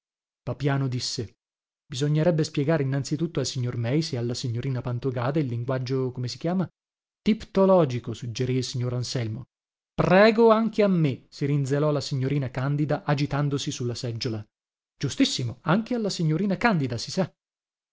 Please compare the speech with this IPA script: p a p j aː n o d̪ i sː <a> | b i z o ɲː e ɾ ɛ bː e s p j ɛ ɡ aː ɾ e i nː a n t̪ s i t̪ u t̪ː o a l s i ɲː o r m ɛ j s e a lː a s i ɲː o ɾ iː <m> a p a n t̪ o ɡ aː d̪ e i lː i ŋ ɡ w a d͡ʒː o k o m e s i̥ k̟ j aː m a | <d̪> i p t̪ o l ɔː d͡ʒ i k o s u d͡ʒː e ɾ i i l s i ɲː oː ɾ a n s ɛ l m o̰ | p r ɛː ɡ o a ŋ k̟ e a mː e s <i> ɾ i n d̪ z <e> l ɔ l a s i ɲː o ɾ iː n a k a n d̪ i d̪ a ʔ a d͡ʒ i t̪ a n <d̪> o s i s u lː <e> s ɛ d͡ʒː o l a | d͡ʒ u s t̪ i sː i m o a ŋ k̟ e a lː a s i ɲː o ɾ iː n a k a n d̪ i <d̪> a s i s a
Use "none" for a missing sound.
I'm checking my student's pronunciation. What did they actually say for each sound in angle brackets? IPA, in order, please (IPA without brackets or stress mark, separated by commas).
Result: e, n, t̪, i, e, d̪, a, d̪